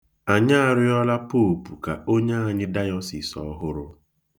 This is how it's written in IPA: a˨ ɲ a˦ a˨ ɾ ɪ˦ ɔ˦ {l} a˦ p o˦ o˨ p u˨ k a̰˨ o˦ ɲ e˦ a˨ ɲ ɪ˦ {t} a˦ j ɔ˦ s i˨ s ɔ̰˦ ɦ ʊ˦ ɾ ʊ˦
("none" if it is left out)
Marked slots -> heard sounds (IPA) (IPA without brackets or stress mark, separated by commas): l, d